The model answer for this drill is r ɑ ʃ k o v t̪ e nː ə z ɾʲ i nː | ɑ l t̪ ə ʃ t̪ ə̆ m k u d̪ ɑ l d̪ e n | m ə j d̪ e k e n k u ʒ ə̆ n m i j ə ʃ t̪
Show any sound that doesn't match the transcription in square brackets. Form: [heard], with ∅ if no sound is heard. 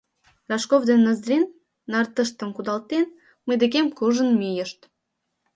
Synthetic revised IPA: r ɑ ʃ k o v [d̪] e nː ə z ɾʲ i nː | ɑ [r] t̪ ə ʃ t̪ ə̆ m k u d̪ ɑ l [t̪] e n | m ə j d̪ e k e [m] k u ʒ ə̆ n m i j ə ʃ t̪